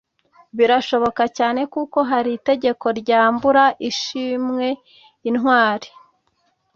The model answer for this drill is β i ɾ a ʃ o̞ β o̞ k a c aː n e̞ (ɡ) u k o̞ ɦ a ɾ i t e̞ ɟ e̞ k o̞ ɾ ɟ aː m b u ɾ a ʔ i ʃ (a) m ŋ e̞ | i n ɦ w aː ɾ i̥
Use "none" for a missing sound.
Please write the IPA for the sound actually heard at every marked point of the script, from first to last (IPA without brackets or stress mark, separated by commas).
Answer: k, i